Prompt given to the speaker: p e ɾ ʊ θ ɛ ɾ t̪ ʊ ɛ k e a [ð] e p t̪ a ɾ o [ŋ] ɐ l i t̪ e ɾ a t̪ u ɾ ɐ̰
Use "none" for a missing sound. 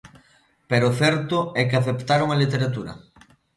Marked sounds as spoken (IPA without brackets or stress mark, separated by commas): θ, ŋ